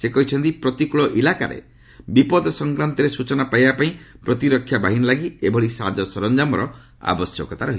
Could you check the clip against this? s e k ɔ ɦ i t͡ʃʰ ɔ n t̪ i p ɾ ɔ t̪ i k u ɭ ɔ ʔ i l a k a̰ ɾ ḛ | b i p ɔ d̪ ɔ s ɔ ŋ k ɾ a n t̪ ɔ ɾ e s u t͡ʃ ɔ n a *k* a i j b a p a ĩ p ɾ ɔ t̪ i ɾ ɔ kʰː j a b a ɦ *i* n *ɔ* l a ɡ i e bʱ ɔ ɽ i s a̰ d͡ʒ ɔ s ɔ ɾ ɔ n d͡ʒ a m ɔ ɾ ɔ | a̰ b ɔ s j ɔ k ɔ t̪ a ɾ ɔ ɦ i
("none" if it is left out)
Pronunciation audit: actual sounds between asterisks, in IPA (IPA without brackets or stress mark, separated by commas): p, i, ɔ